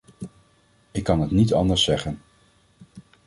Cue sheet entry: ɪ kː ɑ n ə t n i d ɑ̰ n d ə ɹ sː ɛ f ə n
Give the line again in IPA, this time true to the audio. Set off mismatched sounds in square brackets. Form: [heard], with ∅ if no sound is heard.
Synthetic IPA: ɪ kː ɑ n ə t n i [t] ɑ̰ n d ə ɹ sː ɛ [χ] ə n

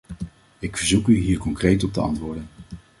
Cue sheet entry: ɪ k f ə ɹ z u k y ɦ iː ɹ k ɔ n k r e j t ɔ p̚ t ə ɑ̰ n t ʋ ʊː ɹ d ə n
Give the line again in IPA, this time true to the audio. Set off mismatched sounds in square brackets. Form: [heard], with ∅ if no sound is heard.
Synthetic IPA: ɪ k f ə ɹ z u k y ɦ iː ɹ k ɔ [ŋ] k r e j t ɔ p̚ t ə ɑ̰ n t ʋ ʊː ɹ d ə n

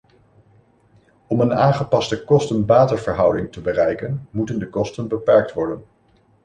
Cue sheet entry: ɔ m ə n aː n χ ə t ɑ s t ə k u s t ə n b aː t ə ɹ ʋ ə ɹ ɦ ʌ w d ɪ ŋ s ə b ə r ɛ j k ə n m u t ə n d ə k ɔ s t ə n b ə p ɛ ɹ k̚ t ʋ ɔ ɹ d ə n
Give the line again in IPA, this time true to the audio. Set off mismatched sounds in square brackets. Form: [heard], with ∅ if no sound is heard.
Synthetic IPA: ɔ m ə n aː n χ ə [p] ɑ s t ə k [ɔ] s t ə n b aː t ə ɹ [v] ə ɹ ɦ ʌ w d ɪ ŋ [t] ə b ə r ɛ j k ə n m u t ə n d ə k ɔ s t ə n b ə p ɛ ɹ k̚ t ʋ ɔ ɹ d ə n

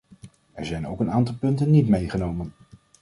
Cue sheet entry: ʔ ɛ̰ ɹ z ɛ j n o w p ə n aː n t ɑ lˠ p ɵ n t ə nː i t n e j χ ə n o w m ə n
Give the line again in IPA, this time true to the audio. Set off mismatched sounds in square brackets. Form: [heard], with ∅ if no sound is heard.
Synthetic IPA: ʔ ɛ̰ ɹ z ɛ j n o w [k] ə n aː n t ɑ lˠ p ɵ n t ə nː i t [m] e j χ ə n o w m ə n

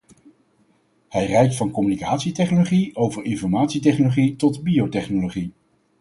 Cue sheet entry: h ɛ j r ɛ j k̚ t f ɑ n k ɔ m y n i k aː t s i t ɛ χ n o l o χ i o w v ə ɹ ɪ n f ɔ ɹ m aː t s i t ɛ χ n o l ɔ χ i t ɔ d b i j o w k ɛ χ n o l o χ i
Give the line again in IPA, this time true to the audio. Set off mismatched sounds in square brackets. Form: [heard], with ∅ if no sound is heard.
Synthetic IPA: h ɛ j r ɛ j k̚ t f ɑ n k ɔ m y n i k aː t s i t ɛ χ n o l o χ i o w v ə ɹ ɪ n f ɔ ɹ m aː t s i t ɛ χ n o l [o] χ i t ɔ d b i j o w [t] ɛ χ n o l o χ i

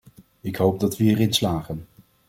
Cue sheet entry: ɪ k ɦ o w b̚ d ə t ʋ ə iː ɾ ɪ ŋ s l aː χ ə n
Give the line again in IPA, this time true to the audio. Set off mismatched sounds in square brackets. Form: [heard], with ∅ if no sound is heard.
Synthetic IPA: ɪ k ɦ o w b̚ d [ɑ] t ʋ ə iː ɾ ɪ [n] s l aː χ ə n

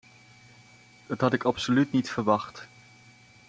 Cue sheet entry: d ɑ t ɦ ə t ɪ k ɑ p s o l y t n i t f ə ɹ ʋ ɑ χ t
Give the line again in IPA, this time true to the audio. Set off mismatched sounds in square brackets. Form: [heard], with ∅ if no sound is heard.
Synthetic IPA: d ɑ t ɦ [ɑ] t ɪ k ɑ p s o l y t n i t f ə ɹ ʋ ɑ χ t

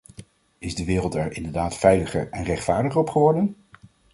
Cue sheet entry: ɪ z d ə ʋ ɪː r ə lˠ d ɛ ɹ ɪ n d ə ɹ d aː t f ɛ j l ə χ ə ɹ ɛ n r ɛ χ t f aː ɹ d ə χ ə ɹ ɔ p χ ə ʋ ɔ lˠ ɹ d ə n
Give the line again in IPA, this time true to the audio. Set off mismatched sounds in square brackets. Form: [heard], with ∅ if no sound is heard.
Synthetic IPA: ɪ z d ə ʋ ɪː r ə lˠ [t] ɛ ɹ ɪ n d ə ɹ d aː t f ɛ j l ə χ ə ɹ ɛ n r ɛ χ t f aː ɹ d ə χ ə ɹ ɔ p χ ə ʋ ɔ [∅] ɹ d ə n

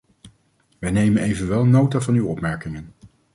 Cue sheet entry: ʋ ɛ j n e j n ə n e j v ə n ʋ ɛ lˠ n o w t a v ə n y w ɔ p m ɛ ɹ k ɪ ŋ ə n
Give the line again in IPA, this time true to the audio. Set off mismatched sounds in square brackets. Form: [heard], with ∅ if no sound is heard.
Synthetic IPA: ʋ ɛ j n e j [m] ə n e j v ə n ʋ ɛ lˠ n o w t a v [ɑ] n y w ɔ p m ɛ ɹ k ɪ ŋ ə n

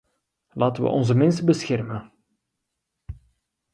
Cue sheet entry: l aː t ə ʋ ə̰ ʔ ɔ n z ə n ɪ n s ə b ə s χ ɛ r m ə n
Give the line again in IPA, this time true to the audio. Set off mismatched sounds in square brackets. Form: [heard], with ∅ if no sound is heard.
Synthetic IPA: l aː t ə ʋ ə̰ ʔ ɔ n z ə [m] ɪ n s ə b ə s [x] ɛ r m ə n

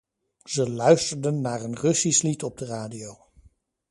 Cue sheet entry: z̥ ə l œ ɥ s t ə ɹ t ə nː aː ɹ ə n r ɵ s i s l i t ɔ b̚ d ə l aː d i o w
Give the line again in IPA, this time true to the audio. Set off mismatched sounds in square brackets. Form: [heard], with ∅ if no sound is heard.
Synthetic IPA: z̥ ə l œ ɥ s t ə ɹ [d] ə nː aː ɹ ə n r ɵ s i s l i t ɔ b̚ d ə [r] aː d i o w

